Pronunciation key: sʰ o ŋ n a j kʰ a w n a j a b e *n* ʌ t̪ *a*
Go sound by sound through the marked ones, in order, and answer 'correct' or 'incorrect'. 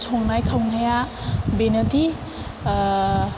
correct, incorrect

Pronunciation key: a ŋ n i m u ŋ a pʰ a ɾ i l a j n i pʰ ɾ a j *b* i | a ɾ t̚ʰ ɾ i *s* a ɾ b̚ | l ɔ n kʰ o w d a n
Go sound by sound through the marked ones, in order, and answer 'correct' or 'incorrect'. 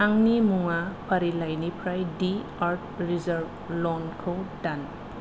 incorrect, incorrect

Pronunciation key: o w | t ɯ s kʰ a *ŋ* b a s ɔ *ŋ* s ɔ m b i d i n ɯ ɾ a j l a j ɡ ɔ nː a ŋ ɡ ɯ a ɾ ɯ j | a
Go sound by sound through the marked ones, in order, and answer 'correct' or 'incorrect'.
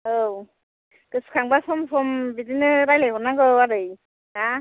correct, incorrect

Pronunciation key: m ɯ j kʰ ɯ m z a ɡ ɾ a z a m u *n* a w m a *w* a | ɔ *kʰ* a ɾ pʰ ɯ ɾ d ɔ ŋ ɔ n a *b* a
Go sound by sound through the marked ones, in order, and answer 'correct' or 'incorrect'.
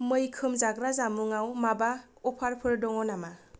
incorrect, incorrect, incorrect, incorrect

